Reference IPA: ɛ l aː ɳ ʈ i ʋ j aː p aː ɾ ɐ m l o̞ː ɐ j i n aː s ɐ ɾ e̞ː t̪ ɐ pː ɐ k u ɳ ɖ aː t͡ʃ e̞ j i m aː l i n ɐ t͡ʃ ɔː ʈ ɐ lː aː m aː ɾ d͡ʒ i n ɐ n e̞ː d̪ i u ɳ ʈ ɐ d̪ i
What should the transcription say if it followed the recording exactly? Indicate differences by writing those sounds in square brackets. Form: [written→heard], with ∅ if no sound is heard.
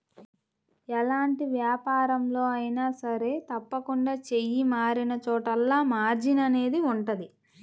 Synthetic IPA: ɛ l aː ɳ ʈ i ʋ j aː p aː ɾ ɐ m l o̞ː ɐ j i n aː s ɐ ɾ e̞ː t̪ ɐ pː ɐ k u ɳ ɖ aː t͡ʃ e̞ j i m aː [l→ɾ] i n ɐ t͡ʃ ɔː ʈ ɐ lː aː m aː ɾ d͡ʒ i n ɐ n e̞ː d̪ i u ɳ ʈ ɐ d̪ i